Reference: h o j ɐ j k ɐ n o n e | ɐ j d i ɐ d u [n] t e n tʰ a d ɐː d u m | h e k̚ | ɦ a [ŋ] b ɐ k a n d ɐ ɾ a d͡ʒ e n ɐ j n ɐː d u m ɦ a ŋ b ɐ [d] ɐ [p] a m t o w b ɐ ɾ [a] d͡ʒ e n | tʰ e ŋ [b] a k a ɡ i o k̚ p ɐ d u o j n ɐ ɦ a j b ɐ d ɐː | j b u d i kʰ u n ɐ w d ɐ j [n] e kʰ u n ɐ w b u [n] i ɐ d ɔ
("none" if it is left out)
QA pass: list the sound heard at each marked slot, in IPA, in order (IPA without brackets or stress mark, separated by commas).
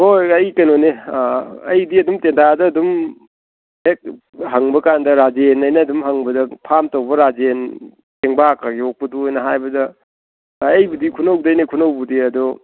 m, ŋ, d, pʰ, a, b, n, d